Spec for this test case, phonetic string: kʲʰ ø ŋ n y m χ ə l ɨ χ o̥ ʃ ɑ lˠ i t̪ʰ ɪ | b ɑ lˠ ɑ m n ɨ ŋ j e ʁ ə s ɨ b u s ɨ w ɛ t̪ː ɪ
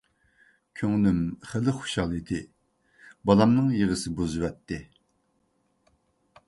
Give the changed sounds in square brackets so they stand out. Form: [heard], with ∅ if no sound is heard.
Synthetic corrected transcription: kʲʰ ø ŋ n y m χ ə l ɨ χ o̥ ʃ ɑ lˠ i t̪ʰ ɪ | b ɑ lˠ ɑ m n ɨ ŋ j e ʁ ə s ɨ b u [z] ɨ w ɛ t̪ː ɪ